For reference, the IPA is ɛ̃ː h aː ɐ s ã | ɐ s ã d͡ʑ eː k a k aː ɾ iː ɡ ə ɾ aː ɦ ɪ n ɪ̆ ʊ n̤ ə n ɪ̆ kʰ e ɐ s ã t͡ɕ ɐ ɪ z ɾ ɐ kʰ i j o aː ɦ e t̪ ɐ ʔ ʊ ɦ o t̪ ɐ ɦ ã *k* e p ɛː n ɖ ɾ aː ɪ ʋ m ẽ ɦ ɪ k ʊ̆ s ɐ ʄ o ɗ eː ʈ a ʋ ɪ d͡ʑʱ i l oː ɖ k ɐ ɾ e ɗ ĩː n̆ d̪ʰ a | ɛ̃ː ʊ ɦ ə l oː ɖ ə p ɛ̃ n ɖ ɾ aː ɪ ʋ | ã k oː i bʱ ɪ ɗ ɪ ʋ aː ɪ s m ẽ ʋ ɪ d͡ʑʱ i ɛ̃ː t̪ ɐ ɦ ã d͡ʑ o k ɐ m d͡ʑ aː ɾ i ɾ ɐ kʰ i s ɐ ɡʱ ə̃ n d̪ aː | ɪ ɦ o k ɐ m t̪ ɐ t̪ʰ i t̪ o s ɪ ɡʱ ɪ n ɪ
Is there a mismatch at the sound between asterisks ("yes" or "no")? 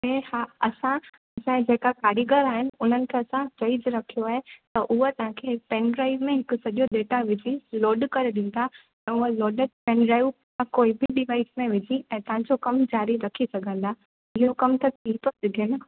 yes